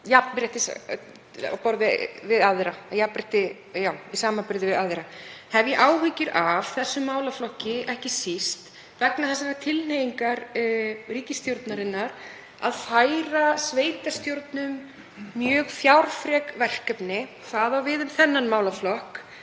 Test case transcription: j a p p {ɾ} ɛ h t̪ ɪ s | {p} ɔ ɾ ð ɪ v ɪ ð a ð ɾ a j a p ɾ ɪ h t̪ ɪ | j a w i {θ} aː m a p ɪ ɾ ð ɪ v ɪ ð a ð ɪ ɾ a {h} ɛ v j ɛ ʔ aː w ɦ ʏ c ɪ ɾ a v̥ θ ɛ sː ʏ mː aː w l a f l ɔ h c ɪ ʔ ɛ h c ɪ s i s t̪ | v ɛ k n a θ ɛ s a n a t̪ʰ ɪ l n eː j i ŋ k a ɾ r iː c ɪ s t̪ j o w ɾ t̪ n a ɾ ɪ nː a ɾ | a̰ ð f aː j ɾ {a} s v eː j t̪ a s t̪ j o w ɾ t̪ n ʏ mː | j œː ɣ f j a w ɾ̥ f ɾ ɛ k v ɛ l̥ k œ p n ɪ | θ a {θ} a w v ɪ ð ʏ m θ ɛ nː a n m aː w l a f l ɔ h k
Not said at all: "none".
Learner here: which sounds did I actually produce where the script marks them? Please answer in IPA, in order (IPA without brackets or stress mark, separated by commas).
ɾ, p, s, h, a, ð